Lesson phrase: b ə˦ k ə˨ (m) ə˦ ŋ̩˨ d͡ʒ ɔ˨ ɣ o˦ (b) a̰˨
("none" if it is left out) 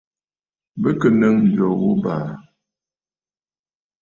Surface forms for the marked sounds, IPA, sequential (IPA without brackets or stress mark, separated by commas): n, b